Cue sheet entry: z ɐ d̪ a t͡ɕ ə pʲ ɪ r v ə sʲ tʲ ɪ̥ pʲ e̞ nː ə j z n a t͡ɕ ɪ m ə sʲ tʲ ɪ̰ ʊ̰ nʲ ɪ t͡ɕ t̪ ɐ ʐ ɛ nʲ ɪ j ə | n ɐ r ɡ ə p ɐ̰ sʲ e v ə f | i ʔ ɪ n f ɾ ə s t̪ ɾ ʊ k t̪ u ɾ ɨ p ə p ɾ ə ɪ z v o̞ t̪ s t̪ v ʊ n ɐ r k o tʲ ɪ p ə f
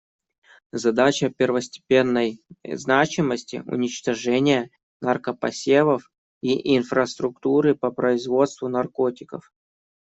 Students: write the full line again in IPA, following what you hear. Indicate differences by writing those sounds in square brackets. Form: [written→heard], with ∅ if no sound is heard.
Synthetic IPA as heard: z ɐ d̪ a t͡ɕ ə pʲ ɪ r v ə sʲ tʲ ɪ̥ pʲ e̞ nː ə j z n a t͡ɕ ɪ m ə sʲ tʲ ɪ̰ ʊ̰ nʲ ɪ t͡ɕ t̪ ɐ ʐ ɛ nʲ ɪ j ə | n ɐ r [ɡ→k] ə p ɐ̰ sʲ e v ə f | i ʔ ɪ n f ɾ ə s t̪ ɾ ʊ k t̪ u ɾ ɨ p ə p ɾ ə ɪ z v o̞ t̪ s t̪ v ʊ n ɐ r k o tʲ ɪ [p→k] ə f